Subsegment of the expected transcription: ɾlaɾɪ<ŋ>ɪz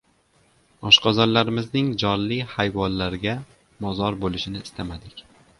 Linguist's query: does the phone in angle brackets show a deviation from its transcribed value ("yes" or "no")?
yes